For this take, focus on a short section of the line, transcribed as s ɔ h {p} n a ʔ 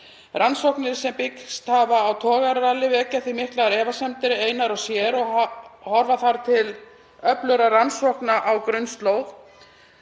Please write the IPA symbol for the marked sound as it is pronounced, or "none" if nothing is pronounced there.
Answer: k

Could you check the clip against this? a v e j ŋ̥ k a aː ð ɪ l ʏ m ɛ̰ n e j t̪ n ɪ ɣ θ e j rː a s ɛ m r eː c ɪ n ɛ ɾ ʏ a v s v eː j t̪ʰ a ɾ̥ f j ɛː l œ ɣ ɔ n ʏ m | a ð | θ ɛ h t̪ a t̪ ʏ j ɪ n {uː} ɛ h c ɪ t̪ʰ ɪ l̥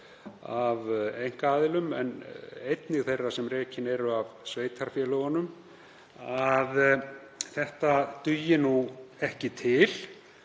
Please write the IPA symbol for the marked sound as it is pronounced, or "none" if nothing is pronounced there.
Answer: u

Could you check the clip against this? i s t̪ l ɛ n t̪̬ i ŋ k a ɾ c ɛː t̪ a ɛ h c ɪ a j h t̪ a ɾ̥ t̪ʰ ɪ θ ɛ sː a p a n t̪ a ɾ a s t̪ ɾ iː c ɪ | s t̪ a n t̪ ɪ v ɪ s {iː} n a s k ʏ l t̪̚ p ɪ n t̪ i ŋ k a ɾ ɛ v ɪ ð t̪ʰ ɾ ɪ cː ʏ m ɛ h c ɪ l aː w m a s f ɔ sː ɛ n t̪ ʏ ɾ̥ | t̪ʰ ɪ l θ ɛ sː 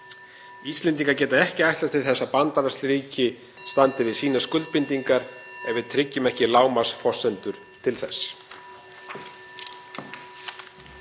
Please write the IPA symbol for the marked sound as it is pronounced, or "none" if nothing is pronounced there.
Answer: iː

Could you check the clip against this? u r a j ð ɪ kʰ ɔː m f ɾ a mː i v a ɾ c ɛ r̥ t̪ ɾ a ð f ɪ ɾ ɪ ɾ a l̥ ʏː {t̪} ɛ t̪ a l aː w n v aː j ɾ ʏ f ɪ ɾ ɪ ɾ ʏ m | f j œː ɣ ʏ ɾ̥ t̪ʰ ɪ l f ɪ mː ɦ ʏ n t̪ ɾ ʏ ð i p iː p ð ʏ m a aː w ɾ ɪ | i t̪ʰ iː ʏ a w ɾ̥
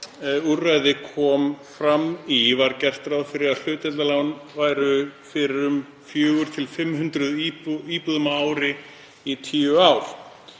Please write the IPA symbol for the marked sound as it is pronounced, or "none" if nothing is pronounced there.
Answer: t̪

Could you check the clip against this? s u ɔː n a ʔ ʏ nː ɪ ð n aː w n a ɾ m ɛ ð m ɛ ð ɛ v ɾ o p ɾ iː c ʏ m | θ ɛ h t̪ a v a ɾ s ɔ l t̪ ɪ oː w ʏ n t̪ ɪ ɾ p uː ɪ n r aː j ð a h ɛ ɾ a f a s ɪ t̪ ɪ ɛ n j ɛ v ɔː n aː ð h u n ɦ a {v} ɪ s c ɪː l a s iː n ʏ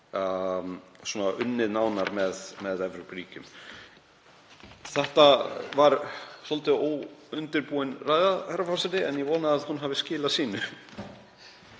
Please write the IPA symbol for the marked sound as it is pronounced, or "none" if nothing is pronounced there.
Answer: v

